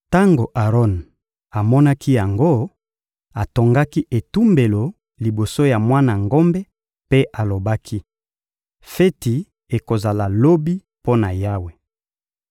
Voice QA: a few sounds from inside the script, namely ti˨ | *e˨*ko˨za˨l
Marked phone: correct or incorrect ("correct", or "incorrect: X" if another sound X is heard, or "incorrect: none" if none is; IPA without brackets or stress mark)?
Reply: correct